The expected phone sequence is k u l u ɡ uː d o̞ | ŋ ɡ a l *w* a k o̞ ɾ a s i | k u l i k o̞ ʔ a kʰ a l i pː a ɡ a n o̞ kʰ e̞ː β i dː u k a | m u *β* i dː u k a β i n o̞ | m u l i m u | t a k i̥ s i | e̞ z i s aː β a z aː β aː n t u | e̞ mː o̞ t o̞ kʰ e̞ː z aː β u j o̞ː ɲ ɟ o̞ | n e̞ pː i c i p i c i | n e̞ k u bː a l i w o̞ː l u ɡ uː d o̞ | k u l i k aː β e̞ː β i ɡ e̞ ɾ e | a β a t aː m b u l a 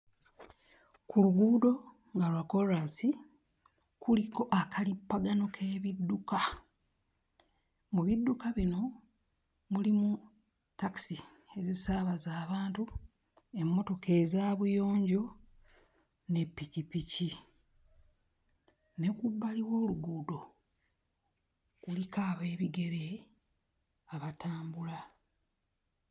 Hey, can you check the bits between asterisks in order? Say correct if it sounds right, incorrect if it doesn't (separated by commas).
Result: correct, correct